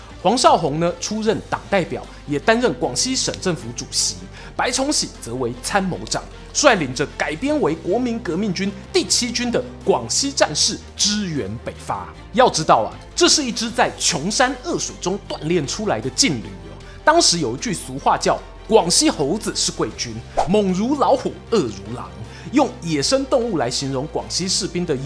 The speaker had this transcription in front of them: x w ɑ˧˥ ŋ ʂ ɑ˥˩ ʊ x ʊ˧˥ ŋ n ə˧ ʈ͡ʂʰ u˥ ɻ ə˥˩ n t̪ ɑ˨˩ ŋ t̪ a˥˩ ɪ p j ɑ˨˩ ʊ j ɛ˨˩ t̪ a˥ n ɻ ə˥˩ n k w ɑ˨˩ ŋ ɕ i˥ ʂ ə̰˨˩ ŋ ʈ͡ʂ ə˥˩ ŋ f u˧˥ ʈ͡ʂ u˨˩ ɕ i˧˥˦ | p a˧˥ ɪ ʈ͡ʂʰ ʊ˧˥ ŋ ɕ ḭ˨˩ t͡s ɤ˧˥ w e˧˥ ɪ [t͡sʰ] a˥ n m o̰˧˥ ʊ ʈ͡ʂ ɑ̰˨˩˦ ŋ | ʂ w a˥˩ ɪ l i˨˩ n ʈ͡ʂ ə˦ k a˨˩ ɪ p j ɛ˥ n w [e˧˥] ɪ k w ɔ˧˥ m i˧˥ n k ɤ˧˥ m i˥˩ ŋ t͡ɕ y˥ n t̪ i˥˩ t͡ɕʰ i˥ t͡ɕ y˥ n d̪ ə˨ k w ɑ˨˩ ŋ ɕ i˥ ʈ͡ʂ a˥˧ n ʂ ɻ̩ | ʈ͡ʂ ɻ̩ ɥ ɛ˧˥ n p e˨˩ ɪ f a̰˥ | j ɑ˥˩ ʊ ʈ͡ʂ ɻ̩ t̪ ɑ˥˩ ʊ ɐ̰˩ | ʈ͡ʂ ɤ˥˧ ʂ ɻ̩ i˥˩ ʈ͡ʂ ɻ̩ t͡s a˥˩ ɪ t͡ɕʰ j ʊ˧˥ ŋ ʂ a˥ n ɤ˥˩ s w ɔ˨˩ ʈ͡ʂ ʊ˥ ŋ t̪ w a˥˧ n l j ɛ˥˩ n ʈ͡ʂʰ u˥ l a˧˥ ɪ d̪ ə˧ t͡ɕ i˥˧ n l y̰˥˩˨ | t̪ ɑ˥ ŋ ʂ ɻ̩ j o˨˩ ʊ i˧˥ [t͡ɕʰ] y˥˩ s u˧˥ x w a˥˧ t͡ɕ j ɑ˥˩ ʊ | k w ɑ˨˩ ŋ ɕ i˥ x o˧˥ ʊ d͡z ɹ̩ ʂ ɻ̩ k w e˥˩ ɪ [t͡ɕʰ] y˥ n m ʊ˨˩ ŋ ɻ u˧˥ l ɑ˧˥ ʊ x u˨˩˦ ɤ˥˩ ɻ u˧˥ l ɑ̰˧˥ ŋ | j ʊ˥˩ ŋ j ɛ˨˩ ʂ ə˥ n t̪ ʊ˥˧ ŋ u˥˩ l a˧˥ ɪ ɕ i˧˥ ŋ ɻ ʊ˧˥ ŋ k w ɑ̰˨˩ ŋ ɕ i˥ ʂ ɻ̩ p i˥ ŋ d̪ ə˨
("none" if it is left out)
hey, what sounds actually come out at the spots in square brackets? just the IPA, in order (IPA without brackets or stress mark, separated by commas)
t͡sʰ, e˧˥, t͡ɕ, t͡ɕ